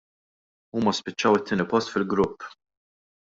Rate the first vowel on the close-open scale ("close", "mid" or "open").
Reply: close